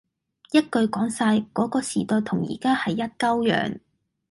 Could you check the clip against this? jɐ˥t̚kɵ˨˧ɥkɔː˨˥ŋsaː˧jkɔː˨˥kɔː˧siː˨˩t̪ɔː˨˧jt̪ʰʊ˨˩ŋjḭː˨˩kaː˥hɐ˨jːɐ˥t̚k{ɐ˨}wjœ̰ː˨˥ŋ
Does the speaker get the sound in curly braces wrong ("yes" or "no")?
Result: yes